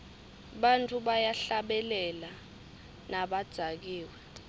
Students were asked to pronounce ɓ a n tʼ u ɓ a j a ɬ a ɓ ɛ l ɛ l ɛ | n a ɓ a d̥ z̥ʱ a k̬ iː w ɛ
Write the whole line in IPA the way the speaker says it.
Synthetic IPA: ɓ a n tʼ u ɓ a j a ɬ a ɓ ɛ l ɛ l a | n a ɓ a d̥ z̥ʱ a k̬ iː w ɛ